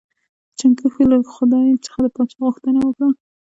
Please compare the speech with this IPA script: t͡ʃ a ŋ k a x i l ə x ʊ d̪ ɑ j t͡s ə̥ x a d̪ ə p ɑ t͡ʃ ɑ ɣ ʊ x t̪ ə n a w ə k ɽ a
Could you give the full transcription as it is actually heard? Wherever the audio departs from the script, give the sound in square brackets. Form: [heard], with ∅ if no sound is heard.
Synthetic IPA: t͡ʃ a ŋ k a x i l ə x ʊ d̪ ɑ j t͡s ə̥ x a d̪ ə p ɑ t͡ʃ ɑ ɣ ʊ x t̪ ə n a w ə k ɽ a